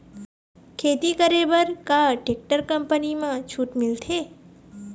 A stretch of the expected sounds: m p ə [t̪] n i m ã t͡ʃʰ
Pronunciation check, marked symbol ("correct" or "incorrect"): incorrect